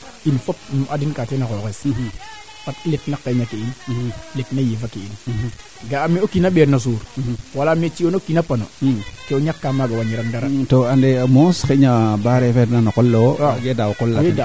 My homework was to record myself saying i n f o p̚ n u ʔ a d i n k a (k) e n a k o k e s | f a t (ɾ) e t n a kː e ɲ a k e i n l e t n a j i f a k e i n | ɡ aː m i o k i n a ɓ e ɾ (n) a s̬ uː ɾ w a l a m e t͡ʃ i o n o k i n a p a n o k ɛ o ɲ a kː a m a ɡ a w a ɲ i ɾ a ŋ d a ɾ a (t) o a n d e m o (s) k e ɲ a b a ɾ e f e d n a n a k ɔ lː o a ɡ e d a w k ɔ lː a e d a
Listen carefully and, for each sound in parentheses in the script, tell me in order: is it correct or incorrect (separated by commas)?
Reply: incorrect, incorrect, correct, correct, correct